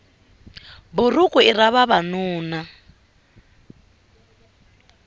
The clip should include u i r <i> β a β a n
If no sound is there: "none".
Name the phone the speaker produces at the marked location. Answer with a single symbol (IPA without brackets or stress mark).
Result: a